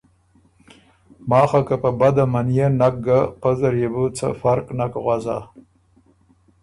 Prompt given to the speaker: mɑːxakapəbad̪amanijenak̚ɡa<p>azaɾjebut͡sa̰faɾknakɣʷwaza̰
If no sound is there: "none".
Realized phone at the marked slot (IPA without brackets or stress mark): p